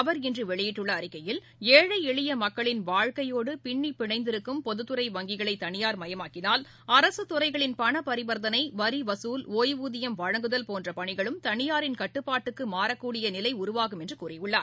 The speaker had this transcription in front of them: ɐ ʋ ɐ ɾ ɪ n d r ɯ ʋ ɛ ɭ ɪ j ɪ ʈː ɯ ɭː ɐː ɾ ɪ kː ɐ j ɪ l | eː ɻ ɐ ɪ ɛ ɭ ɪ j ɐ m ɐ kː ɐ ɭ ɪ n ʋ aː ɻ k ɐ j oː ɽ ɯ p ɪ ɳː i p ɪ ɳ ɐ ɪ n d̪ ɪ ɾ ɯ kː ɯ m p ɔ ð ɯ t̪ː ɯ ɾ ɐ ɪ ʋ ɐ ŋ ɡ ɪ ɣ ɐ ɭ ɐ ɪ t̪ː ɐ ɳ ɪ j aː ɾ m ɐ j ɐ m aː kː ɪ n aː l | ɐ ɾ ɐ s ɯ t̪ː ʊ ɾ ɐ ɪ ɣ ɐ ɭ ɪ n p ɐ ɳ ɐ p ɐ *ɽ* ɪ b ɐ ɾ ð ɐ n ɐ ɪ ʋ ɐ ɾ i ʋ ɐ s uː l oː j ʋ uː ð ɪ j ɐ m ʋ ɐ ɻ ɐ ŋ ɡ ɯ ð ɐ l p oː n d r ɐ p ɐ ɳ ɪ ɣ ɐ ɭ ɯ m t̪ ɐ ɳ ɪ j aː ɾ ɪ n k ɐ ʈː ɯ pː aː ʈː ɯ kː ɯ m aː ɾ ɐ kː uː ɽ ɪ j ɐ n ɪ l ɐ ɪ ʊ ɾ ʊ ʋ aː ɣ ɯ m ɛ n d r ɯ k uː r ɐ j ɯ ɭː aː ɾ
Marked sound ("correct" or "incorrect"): incorrect